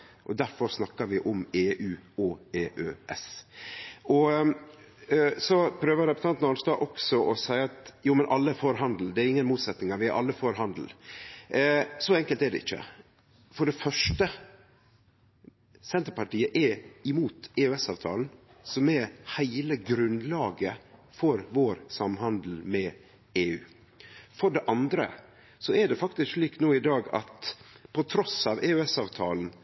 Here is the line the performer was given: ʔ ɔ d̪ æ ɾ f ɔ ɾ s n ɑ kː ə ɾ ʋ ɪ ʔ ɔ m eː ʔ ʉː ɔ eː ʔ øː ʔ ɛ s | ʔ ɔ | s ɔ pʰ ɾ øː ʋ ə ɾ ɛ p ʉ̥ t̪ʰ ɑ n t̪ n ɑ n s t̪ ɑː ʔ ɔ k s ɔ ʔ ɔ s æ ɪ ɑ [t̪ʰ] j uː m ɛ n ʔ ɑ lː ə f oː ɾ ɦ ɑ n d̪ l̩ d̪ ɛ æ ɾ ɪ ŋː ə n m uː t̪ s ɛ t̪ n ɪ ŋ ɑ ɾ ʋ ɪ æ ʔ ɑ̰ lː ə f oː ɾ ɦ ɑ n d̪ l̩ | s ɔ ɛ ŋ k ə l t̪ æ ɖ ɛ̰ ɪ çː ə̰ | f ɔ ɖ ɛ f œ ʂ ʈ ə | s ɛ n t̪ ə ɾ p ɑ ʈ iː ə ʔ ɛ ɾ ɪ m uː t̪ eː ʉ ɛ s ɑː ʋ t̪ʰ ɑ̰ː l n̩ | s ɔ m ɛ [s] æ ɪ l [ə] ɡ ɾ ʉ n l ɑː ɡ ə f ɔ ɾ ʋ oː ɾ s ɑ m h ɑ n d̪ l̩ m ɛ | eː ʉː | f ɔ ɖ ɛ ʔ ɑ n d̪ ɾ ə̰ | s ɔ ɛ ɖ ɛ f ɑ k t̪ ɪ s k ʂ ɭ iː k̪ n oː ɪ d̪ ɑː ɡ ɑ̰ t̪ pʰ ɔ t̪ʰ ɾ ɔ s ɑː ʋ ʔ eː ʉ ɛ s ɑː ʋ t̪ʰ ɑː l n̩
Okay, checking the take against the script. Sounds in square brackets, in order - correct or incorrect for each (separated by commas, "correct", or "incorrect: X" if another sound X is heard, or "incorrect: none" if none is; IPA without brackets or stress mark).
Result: incorrect: t̪, incorrect: h, correct